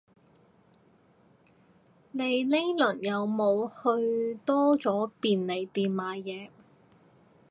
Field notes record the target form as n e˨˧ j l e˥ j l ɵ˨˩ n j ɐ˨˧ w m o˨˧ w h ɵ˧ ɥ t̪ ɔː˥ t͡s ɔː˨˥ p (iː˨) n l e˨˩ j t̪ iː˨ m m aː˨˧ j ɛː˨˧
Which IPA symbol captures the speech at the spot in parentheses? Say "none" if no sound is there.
iː˨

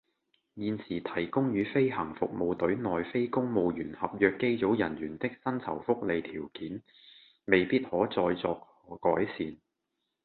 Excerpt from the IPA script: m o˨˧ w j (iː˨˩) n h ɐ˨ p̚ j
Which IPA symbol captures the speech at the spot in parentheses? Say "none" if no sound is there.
yː˨˩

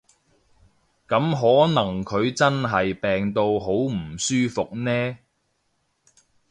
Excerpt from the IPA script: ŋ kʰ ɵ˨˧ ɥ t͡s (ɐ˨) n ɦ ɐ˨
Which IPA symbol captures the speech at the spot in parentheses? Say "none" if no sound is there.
ɐ˥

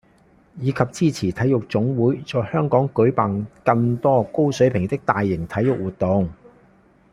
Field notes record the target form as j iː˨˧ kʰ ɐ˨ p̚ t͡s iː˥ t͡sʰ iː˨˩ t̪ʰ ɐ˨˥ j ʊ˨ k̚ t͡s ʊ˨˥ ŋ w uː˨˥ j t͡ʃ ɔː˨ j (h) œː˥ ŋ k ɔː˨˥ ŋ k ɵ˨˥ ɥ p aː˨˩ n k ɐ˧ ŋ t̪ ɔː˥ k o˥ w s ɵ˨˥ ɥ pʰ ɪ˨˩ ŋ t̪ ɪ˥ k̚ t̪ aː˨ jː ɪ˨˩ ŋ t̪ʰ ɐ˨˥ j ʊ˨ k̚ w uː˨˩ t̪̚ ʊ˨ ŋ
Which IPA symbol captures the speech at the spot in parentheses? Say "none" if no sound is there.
h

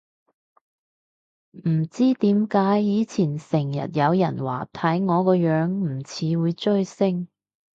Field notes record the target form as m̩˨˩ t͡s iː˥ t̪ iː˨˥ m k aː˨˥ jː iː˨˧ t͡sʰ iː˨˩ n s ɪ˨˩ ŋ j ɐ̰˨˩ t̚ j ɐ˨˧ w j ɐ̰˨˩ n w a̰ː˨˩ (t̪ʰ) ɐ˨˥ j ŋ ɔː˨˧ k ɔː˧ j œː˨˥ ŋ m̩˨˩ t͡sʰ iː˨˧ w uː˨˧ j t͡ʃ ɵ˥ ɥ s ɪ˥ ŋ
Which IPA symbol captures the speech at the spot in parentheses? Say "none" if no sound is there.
t̪ʰ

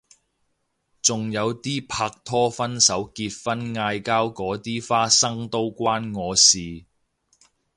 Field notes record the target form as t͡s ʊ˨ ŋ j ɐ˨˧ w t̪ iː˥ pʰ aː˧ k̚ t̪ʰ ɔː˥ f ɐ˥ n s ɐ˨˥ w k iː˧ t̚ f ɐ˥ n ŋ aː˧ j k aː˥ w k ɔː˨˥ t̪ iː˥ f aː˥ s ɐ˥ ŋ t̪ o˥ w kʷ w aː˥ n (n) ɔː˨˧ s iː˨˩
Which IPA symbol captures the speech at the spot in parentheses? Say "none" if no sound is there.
ŋ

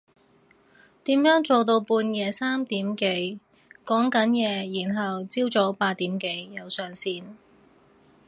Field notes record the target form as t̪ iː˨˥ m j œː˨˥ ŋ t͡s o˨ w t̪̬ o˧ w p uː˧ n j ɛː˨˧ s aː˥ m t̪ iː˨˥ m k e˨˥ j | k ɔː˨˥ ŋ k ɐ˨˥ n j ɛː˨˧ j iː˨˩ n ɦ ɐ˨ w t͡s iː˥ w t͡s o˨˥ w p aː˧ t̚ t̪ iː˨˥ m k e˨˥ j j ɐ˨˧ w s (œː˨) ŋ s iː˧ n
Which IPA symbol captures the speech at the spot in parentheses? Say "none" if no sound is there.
œː˨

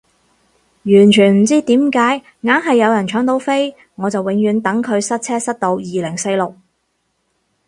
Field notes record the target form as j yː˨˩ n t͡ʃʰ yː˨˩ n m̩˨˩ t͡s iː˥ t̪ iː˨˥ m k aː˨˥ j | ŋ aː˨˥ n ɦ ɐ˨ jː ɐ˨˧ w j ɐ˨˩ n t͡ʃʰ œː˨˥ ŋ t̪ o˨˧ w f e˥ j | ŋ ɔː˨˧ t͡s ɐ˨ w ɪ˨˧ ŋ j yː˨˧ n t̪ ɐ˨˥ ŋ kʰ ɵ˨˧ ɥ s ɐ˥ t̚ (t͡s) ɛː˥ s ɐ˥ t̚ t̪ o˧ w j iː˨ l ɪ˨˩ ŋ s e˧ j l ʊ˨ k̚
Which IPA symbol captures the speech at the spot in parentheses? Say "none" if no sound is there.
t͡sʰ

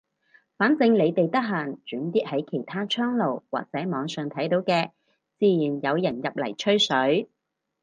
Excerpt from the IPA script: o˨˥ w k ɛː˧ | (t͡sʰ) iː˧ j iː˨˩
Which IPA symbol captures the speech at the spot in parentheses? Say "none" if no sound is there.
t͡s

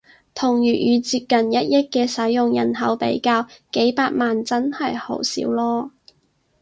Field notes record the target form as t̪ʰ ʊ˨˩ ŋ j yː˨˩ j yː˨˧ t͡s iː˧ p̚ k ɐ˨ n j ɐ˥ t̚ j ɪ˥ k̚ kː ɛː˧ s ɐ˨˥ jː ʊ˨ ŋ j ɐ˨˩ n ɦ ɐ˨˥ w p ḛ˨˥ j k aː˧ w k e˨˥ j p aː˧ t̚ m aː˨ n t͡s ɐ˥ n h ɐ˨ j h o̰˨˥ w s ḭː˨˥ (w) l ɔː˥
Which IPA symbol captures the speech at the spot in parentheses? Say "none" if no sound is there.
w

